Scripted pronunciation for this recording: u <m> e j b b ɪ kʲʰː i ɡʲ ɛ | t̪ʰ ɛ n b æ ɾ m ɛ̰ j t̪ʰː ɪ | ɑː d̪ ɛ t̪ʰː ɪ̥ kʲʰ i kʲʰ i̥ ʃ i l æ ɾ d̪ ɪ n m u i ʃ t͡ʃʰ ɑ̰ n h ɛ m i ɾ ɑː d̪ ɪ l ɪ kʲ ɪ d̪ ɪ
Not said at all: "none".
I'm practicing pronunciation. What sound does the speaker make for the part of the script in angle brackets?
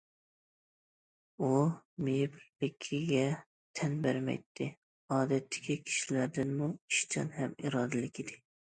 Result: m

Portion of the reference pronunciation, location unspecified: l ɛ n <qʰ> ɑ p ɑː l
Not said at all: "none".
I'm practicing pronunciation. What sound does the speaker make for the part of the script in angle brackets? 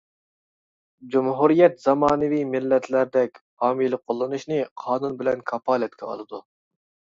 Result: kʰ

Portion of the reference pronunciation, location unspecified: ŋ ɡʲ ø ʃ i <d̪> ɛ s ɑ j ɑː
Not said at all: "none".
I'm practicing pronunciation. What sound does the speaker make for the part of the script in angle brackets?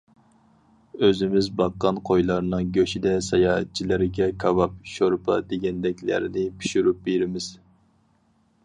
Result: d̪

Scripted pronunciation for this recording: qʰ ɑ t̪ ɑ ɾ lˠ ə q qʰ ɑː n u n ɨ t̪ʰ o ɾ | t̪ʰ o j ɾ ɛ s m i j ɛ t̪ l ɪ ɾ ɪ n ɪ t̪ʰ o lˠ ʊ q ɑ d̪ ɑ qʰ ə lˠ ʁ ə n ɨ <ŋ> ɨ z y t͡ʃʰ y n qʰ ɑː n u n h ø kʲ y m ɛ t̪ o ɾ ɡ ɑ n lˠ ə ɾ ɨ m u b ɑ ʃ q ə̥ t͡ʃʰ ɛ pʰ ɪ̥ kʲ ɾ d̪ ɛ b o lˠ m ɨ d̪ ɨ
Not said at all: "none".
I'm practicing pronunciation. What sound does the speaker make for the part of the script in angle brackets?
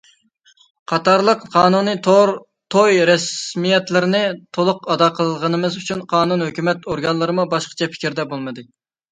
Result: m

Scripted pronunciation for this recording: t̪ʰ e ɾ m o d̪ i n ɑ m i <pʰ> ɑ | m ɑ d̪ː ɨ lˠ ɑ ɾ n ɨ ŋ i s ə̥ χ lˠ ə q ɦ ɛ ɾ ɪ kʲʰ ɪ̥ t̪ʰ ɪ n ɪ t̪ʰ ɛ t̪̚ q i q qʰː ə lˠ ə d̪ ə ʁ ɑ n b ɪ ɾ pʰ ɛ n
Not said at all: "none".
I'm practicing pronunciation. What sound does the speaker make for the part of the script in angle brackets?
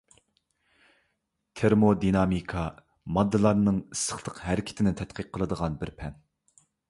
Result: kʰ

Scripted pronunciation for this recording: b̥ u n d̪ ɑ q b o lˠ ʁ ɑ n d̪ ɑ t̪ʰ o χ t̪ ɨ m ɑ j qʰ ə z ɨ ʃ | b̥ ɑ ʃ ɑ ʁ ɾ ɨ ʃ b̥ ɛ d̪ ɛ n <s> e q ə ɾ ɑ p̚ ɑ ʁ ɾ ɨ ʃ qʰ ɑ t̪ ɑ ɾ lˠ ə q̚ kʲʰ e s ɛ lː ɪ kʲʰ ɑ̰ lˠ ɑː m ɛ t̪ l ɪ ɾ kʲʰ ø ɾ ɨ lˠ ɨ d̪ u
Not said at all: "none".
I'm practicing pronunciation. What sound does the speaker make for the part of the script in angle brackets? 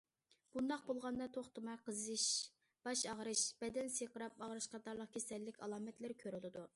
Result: s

